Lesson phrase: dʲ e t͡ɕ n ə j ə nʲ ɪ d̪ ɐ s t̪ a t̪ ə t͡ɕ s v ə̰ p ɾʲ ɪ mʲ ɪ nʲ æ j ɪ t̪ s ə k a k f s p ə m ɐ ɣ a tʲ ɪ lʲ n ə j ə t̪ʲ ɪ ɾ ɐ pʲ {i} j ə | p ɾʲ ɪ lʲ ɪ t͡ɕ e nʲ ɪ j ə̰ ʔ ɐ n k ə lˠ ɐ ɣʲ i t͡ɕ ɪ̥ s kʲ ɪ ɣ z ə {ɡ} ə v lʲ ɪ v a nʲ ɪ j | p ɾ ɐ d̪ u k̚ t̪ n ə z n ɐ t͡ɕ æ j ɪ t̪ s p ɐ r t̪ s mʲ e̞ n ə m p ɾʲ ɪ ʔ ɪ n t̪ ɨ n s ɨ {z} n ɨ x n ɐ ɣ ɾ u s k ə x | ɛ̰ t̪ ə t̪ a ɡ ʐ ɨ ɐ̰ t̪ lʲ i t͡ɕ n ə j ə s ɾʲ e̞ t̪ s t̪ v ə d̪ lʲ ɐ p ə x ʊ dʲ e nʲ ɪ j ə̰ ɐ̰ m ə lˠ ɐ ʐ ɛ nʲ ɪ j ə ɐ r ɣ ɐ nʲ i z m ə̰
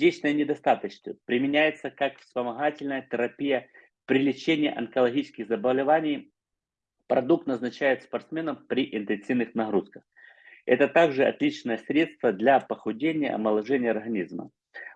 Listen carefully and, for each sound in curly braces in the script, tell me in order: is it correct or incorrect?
correct, incorrect: b, incorrect: v

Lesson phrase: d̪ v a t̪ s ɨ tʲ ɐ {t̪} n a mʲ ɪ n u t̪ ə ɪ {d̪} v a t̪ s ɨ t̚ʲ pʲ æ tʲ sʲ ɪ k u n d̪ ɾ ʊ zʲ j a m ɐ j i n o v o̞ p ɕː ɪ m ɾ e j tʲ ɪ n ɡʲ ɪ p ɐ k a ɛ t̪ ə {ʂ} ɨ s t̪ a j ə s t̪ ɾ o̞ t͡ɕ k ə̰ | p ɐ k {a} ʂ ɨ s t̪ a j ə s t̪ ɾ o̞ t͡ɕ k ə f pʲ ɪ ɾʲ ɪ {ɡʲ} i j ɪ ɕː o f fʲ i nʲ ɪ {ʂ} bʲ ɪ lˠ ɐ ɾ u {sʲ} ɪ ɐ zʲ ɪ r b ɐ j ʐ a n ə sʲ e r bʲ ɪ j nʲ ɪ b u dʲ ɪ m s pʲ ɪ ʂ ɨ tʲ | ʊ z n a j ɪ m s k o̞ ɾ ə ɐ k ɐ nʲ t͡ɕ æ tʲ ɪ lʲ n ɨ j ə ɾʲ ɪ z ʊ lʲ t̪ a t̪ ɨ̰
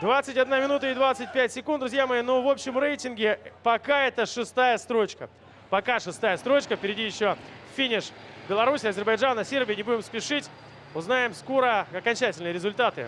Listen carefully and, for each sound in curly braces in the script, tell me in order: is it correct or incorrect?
incorrect: d̪, correct, correct, correct, incorrect: dʲ, correct, correct

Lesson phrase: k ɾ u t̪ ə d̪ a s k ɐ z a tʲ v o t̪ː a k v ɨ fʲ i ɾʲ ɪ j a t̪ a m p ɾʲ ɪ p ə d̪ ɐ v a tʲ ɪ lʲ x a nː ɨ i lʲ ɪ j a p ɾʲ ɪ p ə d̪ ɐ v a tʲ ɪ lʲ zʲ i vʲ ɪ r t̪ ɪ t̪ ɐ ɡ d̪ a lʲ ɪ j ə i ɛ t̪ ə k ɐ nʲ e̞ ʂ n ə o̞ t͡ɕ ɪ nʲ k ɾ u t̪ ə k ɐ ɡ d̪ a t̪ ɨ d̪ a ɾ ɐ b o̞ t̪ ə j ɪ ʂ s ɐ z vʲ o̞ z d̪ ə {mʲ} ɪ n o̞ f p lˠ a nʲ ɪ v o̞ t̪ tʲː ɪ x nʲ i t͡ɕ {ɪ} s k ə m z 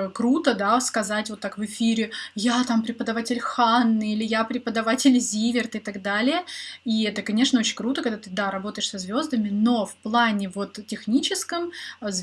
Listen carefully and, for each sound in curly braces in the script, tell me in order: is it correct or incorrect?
correct, correct

